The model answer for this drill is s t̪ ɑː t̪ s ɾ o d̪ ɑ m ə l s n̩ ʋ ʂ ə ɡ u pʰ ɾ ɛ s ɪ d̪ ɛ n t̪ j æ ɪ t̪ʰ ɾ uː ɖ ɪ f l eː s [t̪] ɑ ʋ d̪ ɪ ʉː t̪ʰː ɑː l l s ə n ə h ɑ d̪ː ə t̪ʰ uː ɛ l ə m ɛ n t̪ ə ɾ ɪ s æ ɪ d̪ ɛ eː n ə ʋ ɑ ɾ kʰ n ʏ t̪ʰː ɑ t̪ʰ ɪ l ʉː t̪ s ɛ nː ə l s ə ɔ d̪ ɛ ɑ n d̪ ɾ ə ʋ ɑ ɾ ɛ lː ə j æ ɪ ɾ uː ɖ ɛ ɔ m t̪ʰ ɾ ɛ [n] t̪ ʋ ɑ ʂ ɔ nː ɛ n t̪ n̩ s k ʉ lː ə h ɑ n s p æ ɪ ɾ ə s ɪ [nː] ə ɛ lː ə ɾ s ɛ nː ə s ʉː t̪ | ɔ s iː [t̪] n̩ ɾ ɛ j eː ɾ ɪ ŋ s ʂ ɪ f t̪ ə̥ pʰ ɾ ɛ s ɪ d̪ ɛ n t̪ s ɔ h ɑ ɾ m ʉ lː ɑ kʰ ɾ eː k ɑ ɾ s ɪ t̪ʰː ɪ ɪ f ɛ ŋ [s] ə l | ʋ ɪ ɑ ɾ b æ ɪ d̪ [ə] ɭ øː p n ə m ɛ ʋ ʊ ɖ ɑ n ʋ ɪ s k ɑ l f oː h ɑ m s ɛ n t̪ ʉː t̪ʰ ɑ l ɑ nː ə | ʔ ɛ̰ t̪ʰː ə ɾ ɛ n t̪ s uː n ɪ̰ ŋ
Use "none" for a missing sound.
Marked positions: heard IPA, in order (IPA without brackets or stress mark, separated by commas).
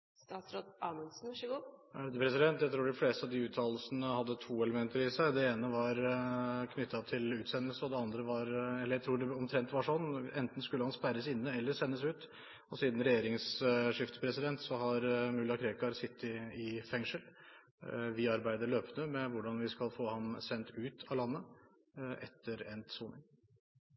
t̪, n, nː, d̪, ʂ, ə